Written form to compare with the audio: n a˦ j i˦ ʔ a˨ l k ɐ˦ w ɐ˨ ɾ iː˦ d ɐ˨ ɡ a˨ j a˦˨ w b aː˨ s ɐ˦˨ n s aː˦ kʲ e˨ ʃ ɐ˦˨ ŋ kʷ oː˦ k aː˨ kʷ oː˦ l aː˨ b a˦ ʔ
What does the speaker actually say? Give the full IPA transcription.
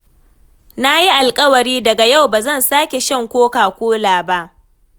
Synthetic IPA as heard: n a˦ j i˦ ʔ a˨ l kʼ ɐ˦ w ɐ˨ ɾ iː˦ d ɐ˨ ɡ a˨ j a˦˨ w b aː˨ z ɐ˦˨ n s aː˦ kʲ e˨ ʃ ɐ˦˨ ŋ kʷ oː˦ k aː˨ kʷ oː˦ l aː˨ b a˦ ʔ

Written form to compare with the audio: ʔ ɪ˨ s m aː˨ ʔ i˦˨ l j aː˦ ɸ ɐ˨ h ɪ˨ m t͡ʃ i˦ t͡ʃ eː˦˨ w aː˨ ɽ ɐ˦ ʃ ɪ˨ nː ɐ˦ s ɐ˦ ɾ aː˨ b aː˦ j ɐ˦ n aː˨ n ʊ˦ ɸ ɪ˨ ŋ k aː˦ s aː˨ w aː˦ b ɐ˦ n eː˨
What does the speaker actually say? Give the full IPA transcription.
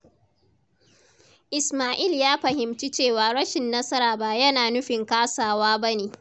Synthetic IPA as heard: ʔ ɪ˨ s m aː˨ ʔ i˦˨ l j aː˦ ɸ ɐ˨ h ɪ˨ m t͡ʃ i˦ t͡ʃ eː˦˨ w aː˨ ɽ ɐ˦ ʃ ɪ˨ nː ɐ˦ s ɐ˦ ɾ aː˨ b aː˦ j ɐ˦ n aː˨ n ʊ˦ ɸ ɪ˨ ŋ k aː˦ s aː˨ w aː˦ b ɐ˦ n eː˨

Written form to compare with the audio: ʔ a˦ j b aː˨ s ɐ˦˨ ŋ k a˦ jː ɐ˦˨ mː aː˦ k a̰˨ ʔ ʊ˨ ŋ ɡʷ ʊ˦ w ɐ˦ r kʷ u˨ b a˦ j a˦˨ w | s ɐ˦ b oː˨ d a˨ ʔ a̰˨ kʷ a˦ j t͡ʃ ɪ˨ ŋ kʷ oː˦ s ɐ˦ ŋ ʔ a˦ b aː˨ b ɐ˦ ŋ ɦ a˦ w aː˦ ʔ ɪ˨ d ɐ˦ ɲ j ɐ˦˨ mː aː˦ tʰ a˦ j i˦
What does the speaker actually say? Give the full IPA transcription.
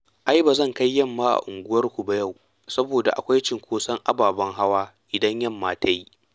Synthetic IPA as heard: ʔ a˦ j b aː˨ z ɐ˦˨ ŋ k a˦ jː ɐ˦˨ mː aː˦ ʔ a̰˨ ʔ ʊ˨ ŋ ɡʷ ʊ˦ w ɐ˦ r kʷ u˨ b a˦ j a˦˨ w | s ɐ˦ b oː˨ d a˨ ʔ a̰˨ kʷ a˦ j t͡ʃ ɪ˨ ŋ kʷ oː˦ s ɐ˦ ŋ ʔ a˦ b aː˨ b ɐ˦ ŋ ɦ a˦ w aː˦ ʔ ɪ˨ d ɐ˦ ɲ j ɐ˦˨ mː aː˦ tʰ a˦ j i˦

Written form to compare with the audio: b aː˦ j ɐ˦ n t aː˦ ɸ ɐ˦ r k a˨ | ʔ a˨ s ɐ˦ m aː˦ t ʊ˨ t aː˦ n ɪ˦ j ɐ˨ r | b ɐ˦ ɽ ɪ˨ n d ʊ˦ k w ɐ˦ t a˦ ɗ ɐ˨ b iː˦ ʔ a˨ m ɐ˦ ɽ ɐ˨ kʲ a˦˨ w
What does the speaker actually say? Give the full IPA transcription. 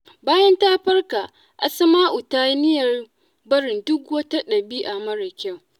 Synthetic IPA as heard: b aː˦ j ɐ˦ n t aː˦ ɸ ɐ˦ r k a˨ | ʔ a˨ s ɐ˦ m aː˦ ʔ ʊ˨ t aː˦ n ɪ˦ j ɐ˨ r | b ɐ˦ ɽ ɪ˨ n d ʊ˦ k w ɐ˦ t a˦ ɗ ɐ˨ b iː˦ ʔ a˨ m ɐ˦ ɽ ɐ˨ kʲ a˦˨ w

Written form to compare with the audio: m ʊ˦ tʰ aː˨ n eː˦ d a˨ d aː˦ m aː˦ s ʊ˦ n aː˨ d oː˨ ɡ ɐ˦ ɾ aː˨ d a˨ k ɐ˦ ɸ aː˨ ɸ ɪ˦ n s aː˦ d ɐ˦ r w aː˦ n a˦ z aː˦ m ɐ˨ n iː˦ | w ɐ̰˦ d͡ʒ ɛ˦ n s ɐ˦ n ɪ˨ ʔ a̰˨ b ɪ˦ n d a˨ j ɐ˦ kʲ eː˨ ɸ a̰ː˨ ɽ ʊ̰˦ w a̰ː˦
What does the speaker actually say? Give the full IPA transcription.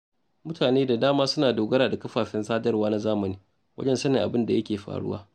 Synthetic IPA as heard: m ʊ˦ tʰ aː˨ n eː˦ d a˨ d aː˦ m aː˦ s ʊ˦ n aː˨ d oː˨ ɡ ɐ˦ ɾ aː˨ d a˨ k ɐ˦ ɸ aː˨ ɸ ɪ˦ n s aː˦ d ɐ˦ r w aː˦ n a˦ z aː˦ m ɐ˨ n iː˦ | w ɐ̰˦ d͡ʒ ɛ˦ n s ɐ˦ n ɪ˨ ʔ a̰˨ b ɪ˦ n d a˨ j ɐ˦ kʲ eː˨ ɸ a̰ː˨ ɽ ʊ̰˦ w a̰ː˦

